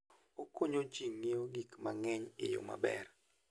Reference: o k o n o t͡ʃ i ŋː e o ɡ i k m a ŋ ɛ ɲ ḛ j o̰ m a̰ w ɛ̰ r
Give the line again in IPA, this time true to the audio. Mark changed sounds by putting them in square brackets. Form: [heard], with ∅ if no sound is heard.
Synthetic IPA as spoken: o k o [ɲ] o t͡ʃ i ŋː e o ɡ i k m a ŋ ɛ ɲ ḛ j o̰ m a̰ [b] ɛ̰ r